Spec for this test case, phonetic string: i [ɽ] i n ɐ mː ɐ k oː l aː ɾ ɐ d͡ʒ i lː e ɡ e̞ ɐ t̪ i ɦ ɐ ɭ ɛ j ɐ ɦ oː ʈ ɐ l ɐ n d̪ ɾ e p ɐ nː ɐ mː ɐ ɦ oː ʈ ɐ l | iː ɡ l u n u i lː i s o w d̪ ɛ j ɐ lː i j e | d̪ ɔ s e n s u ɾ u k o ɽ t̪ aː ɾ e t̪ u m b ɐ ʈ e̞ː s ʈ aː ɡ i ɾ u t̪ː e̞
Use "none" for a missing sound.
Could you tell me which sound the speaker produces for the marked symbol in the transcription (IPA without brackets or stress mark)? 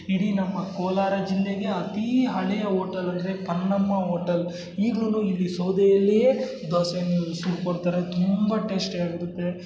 ɽ